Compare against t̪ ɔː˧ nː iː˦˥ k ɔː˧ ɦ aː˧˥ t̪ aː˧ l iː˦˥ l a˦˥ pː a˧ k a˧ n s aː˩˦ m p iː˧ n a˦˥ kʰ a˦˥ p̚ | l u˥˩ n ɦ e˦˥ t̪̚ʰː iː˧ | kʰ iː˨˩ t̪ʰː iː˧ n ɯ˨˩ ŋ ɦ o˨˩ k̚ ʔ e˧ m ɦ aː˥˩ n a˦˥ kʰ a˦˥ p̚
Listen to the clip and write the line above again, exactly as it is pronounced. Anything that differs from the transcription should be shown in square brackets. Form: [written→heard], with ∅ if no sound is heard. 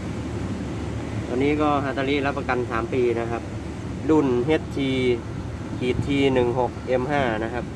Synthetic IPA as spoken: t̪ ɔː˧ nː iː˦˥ k [ɔː˧→ɔː˥˩] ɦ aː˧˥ t̪ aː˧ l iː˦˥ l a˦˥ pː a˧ k a˧ n s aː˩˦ m p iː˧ n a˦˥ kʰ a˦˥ p̚ | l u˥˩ n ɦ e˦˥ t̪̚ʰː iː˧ | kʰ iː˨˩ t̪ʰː iː˧ n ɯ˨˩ ŋ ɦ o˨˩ k̚ ʔ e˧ m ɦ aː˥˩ n a˦˥ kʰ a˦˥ p̚